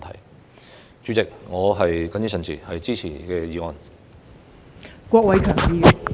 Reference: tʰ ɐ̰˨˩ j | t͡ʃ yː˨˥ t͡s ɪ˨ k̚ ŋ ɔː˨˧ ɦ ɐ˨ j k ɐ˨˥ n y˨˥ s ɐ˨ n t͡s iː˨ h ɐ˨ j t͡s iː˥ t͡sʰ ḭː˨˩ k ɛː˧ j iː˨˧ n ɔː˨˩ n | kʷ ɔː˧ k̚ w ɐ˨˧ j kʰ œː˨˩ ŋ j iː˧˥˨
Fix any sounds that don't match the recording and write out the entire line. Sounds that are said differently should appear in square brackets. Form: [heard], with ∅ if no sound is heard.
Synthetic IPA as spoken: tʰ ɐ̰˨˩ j | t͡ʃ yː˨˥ t͡s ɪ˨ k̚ ŋ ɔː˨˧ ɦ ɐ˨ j k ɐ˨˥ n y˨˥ s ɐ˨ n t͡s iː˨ h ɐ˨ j t͡s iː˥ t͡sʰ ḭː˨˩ k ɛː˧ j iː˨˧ [ŋ] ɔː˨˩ n | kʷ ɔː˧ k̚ w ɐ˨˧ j kʰ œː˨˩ ŋ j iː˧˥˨